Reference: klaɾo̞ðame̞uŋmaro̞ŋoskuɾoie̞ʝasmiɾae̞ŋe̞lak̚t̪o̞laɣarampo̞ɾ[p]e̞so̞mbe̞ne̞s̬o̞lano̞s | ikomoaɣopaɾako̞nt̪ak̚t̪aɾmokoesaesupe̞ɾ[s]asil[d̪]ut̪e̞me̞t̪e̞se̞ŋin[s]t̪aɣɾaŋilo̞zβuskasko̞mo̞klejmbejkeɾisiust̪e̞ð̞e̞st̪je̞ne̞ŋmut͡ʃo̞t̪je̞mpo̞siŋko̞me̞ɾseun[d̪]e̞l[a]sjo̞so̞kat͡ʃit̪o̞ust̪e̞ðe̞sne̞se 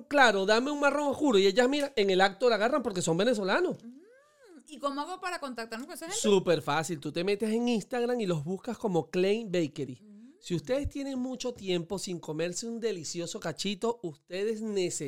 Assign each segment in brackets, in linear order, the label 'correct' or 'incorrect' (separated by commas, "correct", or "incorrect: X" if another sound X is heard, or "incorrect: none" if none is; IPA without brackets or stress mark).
incorrect: k, incorrect: f, incorrect: t̪, correct, correct, incorrect: i